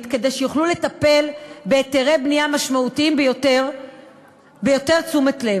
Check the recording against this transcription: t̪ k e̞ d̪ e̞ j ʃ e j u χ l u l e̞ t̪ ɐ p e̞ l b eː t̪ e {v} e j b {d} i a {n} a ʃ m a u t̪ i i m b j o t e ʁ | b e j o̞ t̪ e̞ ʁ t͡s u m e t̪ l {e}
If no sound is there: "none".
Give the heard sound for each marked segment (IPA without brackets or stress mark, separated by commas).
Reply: ʁ, n, m, e